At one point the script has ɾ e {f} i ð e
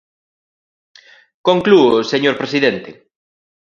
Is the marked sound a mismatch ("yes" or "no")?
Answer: yes